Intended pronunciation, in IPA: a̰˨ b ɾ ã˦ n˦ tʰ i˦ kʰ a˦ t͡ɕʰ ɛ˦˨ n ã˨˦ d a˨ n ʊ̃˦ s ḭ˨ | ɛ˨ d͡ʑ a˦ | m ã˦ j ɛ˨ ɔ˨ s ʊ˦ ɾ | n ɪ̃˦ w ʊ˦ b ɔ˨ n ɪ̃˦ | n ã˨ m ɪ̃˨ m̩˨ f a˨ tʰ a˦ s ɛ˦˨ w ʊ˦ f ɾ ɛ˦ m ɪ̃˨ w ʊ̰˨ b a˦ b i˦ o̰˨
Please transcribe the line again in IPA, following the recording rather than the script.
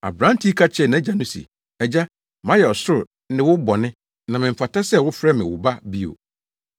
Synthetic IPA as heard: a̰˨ b ɾ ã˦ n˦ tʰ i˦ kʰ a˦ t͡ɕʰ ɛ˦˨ n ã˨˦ d͡ʑ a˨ n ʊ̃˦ s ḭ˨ | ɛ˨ d͡ʑ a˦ | m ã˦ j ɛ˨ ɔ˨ s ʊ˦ ɾ | n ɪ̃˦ w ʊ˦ b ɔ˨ n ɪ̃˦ | n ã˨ m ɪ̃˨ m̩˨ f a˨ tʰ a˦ s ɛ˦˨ w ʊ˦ f ɾ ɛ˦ m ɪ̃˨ w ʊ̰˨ b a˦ b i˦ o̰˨

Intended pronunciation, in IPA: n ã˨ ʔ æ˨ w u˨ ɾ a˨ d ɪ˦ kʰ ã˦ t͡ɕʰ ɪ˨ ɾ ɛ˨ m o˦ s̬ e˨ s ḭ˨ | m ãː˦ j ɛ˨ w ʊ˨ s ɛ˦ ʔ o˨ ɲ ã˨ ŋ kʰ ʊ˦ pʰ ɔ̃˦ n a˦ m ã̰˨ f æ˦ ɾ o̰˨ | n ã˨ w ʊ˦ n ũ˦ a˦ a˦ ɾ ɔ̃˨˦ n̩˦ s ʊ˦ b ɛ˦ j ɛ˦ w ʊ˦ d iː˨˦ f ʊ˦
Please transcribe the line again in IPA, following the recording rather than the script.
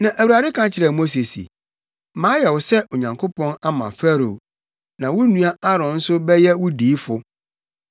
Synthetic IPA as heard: n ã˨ ʔ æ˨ w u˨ ɾ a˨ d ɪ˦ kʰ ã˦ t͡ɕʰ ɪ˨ ɾ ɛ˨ m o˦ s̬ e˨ s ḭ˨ | m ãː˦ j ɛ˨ w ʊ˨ s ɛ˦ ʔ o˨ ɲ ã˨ ŋ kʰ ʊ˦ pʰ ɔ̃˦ n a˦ m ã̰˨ f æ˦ ɾ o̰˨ | n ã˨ w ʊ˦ n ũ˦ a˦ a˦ ɾ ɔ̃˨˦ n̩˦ s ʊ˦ b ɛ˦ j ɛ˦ w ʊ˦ d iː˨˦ f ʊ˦

